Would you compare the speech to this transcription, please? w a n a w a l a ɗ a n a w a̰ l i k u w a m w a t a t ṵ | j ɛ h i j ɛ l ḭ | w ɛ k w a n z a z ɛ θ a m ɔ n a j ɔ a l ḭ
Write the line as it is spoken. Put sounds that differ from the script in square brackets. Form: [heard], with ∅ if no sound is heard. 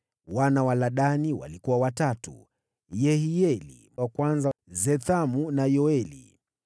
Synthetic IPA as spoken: w a n a w a l a ɗ a n [i] w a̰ l i k u w a [∅] w a t a t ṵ | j ɛ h i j ɛ l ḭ | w [a] k w a n z a z ɛ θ a m [u] n a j ɔ [ɛ] l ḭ